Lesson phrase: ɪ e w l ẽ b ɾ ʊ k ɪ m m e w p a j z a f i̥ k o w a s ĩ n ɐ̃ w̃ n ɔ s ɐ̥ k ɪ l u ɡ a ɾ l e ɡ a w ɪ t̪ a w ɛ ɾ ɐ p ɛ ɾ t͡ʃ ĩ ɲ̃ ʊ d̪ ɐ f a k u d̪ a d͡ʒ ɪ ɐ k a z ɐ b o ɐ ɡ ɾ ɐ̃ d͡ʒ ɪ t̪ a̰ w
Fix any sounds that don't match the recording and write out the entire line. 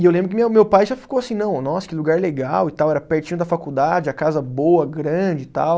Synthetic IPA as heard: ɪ e w l ẽ b ɾ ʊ k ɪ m m e w p a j ʒ a f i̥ k o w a s ĩ n ɐ̃ w̃ n ɔ s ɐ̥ k ɪ l u ɡ a ɾ l e ɡ a w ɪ t̪ a w ɛ ɾ ɐ p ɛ ɾ t͡ʃ ĩ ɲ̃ ʊ d̪ ɐ f a k u d̪ a d͡ʒ ɪ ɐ k a z ɐ b o ɐ ɡ ɾ ɐ̃ d͡ʒ ɪ t̪ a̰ w